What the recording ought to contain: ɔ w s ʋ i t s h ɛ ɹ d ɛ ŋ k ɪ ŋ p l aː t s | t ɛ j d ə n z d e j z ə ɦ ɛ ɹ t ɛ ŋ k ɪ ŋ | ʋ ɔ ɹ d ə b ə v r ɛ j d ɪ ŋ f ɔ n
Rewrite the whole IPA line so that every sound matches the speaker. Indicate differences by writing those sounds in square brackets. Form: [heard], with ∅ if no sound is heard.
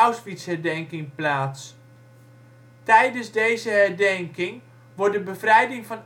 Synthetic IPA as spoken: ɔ w s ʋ i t s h ɛ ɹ d ɛ ŋ k ɪ ŋ p l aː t s | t ɛ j d ə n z d e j z ə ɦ ɛ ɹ [d] ɛ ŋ k ɪ ŋ | ʋ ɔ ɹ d ə b ə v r ɛ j d ɪ ŋ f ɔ n